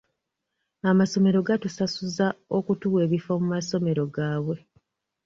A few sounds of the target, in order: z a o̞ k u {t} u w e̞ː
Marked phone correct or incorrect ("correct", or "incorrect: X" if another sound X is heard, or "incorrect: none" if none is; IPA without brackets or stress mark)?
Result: correct